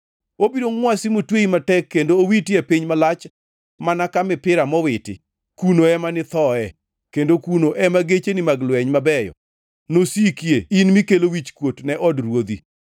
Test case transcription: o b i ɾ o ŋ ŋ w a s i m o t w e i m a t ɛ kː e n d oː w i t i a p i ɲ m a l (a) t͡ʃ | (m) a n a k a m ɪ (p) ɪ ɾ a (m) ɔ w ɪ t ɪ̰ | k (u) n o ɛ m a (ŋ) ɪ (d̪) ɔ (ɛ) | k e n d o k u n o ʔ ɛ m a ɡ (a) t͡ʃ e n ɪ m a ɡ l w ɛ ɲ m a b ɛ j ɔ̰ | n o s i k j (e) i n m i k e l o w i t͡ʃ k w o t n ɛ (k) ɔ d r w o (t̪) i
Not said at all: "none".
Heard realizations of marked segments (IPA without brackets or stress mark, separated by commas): a, m, p, m, u, n, t̪, ɛ, e, e, ʔ, d̪